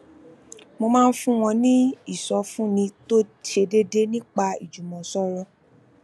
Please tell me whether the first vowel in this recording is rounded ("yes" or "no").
yes